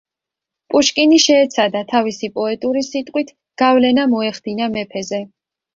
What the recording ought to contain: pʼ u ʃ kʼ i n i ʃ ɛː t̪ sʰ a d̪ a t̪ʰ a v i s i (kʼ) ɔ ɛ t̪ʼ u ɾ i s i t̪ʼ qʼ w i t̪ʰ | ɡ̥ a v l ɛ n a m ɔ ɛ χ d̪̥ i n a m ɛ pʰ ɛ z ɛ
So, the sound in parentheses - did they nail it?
no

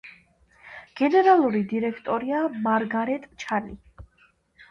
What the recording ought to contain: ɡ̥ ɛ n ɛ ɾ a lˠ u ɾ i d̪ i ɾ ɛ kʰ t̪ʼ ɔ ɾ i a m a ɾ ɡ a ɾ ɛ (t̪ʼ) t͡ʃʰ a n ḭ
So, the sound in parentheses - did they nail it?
yes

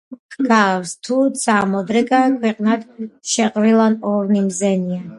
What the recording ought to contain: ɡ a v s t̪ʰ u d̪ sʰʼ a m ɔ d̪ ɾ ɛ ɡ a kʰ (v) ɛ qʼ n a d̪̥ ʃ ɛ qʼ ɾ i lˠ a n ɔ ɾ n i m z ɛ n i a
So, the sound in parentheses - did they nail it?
no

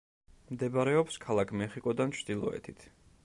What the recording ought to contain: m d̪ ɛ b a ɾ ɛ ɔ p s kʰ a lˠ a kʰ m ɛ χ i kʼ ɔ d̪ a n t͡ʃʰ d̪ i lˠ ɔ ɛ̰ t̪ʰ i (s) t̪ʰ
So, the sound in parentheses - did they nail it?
no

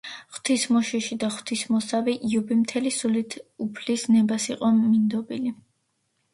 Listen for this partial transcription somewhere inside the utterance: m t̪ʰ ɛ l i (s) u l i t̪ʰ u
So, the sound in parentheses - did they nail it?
yes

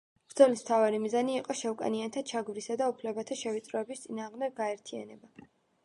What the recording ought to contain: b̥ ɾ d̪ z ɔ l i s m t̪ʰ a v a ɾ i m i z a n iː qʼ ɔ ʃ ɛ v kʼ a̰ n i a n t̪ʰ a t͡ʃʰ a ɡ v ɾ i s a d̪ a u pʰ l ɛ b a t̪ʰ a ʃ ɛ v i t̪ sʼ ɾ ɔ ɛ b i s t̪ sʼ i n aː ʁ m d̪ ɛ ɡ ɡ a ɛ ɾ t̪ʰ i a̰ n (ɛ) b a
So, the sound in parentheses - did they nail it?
yes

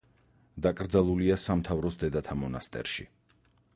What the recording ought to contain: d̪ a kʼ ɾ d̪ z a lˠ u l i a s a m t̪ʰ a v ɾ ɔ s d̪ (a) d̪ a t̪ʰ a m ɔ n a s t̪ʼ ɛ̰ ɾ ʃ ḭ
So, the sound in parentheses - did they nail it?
no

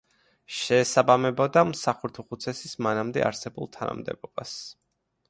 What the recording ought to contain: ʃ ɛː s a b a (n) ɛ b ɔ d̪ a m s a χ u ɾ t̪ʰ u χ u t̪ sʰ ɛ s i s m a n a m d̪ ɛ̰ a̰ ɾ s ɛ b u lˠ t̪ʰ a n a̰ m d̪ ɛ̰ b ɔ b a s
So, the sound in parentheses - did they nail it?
no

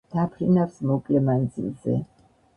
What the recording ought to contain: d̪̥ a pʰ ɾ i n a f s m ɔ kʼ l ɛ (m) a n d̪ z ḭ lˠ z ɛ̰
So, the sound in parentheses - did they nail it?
yes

